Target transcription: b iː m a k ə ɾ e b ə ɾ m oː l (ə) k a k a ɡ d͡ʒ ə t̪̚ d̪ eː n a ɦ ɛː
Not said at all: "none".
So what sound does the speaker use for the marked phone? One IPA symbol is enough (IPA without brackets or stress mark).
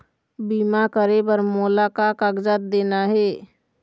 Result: a